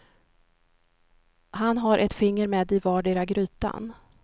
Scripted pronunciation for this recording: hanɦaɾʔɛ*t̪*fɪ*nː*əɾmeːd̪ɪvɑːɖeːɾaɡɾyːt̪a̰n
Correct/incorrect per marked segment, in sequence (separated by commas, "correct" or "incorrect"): correct, incorrect